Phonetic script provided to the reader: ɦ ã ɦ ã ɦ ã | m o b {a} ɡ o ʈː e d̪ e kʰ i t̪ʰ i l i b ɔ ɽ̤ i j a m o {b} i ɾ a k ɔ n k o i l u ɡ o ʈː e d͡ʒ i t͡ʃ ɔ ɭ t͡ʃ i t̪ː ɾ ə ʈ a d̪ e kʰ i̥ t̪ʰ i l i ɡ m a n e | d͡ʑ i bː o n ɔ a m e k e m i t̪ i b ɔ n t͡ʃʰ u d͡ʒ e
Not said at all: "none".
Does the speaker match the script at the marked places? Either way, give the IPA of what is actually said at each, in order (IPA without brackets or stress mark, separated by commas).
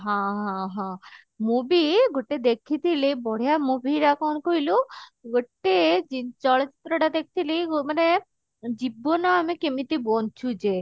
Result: i, b